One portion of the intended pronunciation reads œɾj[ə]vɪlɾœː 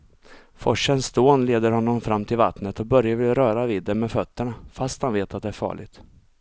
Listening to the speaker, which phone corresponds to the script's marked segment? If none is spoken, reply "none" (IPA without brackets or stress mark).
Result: a